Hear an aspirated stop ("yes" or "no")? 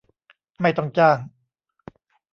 no